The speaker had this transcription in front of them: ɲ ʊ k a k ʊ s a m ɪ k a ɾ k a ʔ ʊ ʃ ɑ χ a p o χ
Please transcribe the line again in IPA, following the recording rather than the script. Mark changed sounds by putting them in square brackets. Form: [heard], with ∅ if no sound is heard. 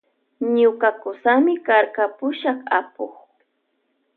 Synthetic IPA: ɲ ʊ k a k ʊ s a m ɪ k a ɾ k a [p] ʊ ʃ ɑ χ a p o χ